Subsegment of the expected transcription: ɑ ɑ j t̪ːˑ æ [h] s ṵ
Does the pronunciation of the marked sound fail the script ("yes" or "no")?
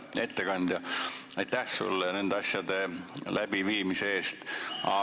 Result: no